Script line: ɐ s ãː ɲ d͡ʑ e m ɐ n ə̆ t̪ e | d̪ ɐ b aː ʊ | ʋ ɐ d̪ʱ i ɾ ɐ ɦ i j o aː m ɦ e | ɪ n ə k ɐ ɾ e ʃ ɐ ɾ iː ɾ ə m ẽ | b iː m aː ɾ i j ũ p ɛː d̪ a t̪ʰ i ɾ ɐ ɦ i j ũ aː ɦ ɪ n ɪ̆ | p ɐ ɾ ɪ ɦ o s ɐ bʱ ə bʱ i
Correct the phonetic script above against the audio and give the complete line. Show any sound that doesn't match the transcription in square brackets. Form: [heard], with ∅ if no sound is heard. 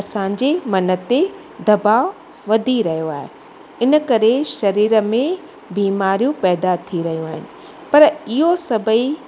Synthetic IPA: ɐ s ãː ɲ d͡ʑ e m ɐ n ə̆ t̪ e | d̪ ɐ b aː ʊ | ʋ ɐ d̪ʱ i ɾ ɐ ɦ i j o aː [∅] ɦ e | ɪ n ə k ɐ ɾ e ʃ ɐ ɾ iː ɾ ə m ẽ | b iː m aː ɾ i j ũ p ɛː d̪ a t̪ʰ i ɾ ɐ ɦ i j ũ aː ɦ ɪ n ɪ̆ | p ɐ ɾ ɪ ɦ o s ɐ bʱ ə [∅] i

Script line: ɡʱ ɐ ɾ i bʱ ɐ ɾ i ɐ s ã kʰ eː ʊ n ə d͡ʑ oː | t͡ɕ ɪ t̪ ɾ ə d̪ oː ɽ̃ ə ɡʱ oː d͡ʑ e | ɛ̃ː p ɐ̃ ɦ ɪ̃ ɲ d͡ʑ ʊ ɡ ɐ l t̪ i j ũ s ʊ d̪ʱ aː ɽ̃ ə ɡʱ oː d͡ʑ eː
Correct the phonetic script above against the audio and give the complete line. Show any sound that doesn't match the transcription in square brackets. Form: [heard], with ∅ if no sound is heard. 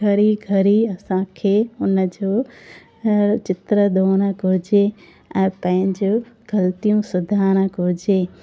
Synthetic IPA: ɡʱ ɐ ɾ i [ɡʱ] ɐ ɾ i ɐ s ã kʰ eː ʊ n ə d͡ʑ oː | t͡ɕ ɪ t̪ ɾ ə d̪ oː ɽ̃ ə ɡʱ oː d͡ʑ e | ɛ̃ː p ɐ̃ ɦ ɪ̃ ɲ d͡ʑ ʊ ɡ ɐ l t̪ i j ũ s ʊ d̪ʱ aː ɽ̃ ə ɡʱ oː d͡ʑ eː

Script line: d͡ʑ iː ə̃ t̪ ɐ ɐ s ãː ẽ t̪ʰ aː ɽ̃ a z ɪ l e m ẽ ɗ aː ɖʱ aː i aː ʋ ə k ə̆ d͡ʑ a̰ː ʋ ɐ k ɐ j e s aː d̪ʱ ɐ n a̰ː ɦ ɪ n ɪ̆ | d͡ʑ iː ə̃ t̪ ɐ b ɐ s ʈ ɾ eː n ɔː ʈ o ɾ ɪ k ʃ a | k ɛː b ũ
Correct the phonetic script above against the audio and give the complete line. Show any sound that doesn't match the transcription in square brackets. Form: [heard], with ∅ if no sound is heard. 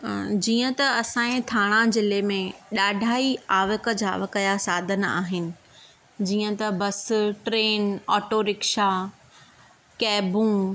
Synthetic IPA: d͡ʑ iː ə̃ t̪ ɐ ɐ s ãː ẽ t̪ʰ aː ɽ̃ a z ɪ l e m ẽ ɗ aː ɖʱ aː i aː ʋ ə k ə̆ d͡ʑ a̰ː ʋ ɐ k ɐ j [a] s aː d̪ʱ [ə] n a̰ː ɦ ɪ n ɪ̆ | d͡ʑ iː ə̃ t̪ ɐ b ɐ s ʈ ɾ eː n ɔː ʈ o ɾ ɪ k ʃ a | k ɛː b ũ

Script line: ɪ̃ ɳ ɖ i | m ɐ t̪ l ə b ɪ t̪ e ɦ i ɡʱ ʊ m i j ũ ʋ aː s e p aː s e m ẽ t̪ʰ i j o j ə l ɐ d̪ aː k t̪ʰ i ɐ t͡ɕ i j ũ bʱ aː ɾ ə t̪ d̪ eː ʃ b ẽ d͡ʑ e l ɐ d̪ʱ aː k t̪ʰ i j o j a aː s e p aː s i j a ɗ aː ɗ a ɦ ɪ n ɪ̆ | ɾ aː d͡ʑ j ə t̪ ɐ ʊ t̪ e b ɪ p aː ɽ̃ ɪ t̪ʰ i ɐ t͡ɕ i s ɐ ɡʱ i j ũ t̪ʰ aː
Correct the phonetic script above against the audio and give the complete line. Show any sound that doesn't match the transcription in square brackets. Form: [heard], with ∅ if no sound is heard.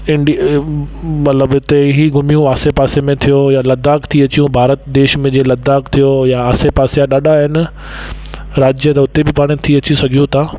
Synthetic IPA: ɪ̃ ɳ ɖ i | m ɐ t̪ l ə b ɪ t̪ e ɦ i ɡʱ ʊ m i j ũ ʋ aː s e p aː s e m ẽ t̪ʰ i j o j [a] l ɐ d̪ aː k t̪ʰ i ɐ t͡ɕ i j ũ bʱ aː ɾ ə t̪ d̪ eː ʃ [m] ẽ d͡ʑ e l ɐ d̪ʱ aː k t̪ʰ i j o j a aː s e p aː s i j a ɗ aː ɗ a ɦ ɪ n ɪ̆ | ɾ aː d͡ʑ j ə t̪ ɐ ʊ t̪ e b ɪ p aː ɽ̃ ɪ t̪ʰ i ɐ t͡ɕ i s ɐ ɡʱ i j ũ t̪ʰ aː

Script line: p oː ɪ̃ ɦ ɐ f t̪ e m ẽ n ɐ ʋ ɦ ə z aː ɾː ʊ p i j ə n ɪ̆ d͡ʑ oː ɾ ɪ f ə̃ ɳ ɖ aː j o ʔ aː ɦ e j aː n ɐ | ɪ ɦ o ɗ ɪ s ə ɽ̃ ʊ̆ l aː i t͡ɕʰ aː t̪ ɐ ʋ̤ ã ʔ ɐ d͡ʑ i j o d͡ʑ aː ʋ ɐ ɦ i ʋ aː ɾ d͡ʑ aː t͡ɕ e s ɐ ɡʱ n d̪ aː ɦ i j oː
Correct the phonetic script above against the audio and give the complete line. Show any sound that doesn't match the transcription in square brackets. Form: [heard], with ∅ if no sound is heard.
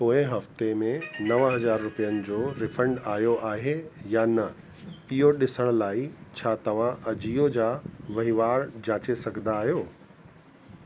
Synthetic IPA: p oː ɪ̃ ɦ ɐ f t̪ e m ẽ n ɐ ʋ ɦ [ɐ] z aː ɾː ʊ p i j ə n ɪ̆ d͡ʑ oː ɾ ɪ f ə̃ ɳ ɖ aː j o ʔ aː ɦ e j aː n ɐ | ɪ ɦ o ɗ ɪ s ə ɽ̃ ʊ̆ l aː i t͡ɕʰ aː t̪ ɐ ʋ̤ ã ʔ ɐ d͡ʑ i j o d͡ʑ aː ʋ ɐ ɦ i ʋ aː ɾ d͡ʑ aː t͡ɕ e s ɐ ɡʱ n d̪ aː ɦ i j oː

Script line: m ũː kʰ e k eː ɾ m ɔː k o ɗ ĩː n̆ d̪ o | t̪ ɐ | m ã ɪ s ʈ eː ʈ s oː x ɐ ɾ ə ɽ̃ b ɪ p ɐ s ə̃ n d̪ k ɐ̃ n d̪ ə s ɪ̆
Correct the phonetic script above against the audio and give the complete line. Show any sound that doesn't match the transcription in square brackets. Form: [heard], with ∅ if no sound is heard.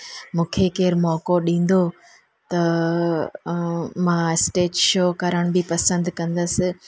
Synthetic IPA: m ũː kʰ e k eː ɾ m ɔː k o ɗ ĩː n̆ d̪ o | t̪ ɐ | m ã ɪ s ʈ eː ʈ [ʃ] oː [k] ɐ ɾ ə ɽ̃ b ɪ p ɐ s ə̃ n d̪ k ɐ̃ n d̪ ə s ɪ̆

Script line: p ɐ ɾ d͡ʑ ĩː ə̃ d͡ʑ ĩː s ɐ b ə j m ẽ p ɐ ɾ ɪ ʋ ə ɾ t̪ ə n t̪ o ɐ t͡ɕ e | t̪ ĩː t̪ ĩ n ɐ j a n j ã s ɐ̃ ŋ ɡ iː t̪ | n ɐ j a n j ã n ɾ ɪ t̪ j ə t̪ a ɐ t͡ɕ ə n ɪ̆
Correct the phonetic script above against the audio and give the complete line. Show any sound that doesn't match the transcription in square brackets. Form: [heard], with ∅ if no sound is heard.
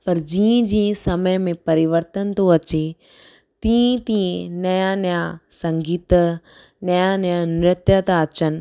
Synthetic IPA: p ɐ ɾ d͡ʑ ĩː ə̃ d͡ʑ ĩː s ɐ [m] ə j m ẽ p ɐ ɾ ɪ ʋ ə ɾ t̪ ə n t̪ o ɐ t͡ɕ e | t̪ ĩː t̪ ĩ n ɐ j a n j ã s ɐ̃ ŋ ɡ iː t̪ | n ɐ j a n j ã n ɾ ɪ t̪ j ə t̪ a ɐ t͡ɕ ə n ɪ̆

